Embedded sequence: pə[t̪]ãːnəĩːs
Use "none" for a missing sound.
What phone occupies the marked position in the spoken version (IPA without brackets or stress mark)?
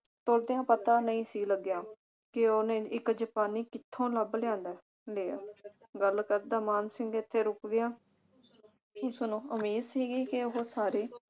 t̪